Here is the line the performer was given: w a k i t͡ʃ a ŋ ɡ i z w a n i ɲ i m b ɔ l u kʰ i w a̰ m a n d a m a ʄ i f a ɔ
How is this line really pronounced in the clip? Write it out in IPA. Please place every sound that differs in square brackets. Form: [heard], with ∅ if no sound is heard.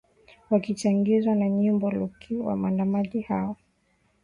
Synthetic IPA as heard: w a k i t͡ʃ a ŋ ɡ i z w a n [a] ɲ i m b ɔ l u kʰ i w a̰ m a n d a m a ʄ i [h] a ɔ